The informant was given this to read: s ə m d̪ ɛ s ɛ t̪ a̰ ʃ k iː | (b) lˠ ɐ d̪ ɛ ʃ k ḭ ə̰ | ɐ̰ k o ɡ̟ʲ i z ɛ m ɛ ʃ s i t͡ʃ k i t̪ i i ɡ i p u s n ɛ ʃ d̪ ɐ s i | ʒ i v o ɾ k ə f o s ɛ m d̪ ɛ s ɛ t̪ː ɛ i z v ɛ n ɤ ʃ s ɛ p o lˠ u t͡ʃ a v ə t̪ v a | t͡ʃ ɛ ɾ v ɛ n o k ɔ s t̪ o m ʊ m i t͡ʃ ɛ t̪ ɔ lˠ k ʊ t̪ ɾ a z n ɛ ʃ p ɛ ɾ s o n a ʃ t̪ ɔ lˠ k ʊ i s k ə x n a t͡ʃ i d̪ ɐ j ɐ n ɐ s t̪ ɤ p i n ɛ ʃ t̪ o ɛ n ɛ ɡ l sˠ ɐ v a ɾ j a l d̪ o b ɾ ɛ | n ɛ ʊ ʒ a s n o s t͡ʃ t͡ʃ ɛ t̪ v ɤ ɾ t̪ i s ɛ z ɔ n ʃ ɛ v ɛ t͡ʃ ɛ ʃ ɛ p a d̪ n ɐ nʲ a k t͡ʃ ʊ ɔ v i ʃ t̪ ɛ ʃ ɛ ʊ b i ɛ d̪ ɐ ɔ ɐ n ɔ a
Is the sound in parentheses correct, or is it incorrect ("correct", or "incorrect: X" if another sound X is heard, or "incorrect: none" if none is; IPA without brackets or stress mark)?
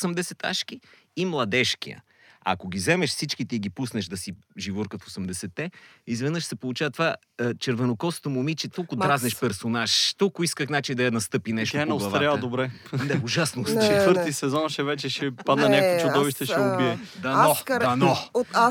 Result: incorrect: m